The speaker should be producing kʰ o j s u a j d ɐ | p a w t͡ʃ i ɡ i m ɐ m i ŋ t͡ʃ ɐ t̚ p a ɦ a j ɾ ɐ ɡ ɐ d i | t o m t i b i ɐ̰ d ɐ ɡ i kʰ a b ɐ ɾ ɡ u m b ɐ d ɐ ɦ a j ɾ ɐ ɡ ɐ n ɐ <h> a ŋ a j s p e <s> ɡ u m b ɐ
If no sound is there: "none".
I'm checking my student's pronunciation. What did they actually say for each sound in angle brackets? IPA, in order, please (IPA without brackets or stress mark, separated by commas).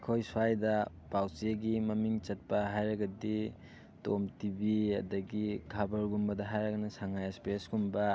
s, s